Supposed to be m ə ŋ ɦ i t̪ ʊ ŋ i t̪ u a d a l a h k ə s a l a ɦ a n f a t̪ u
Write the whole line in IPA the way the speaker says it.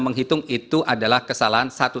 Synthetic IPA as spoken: m ə ŋ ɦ i t̪ ʊ ŋ i t̪ u a d a l a h k ə s a l a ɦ a n s a t̪ u